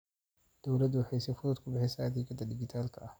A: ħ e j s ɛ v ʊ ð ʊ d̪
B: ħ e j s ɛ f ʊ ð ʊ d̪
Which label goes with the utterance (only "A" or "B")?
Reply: B